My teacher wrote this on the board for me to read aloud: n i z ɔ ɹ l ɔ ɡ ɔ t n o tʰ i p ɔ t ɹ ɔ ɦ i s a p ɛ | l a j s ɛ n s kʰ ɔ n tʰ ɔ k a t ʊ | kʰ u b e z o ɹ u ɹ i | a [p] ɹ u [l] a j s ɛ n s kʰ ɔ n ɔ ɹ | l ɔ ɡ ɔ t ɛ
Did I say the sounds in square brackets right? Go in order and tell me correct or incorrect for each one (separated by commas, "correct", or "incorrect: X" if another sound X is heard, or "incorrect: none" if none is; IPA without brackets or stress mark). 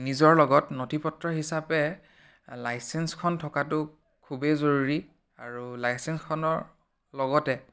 incorrect: none, correct